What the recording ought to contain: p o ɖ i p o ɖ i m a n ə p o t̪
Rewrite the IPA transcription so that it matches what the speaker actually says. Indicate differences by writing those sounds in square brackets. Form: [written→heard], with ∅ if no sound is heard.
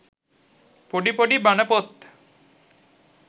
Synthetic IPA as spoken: p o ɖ i p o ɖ i [m→b] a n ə p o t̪

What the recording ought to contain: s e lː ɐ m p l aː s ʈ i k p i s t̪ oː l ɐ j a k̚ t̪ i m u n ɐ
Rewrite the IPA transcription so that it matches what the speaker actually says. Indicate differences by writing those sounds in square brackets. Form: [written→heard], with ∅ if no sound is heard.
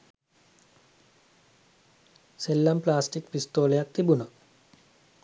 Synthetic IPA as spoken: s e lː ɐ m p l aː s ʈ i k p i s t̪ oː l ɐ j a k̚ t̪ i [m→b] u n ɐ

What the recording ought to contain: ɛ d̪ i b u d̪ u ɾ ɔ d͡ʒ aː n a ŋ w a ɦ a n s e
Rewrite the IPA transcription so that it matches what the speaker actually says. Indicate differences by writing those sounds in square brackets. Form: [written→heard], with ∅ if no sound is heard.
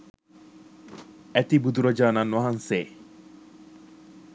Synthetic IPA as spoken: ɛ [d̪→t̪] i b u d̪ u ɾ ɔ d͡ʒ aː n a [ŋ→n] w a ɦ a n s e

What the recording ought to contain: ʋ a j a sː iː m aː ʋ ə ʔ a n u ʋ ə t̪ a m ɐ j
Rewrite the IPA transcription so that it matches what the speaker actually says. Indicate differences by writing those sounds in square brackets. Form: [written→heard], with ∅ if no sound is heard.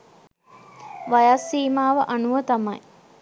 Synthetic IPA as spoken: ʋ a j a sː iː m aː ʋ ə ʔ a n u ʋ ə t̪ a m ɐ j

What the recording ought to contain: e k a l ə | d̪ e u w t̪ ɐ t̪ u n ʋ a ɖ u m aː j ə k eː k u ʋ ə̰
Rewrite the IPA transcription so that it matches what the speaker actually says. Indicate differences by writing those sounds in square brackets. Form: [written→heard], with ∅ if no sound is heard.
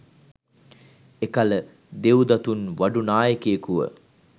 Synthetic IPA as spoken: e k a l ə | d̪ e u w [t̪→d̪] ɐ t̪ u n ʋ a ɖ u [m→n] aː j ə k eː k u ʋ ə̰

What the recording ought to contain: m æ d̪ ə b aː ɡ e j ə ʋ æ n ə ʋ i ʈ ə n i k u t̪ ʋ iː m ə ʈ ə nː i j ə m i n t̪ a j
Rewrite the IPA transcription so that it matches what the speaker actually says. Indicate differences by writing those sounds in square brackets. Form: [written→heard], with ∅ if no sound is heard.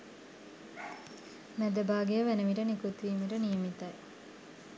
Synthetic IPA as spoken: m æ d̪ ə b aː ɡ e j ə ʋ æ n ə ʋ i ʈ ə n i k u t̪ ʋ iː m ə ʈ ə [nː→n] i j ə m i [n→∅] t̪ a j

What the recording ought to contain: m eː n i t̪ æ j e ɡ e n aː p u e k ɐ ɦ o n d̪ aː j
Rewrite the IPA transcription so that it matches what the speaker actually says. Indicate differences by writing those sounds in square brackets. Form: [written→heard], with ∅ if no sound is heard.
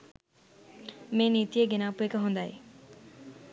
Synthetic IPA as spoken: m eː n i t̪ [æ→i] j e ɡ e n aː p u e k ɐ ɦ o n d̪ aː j

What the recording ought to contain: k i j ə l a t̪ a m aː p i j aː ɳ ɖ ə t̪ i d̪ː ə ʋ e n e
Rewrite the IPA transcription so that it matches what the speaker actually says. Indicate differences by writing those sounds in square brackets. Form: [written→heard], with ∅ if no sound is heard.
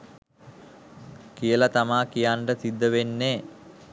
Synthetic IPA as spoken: k i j ə l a t̪ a m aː [p→k] i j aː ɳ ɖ ə t̪ i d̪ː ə ʋ e [n→nː] e

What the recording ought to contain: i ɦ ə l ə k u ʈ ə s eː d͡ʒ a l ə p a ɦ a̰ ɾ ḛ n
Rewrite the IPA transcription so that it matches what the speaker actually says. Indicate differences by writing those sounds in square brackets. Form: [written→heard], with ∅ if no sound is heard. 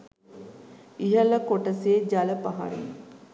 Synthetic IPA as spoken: i ɦ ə l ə k [u→o] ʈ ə s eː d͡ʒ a l ə p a ɦ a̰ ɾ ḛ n

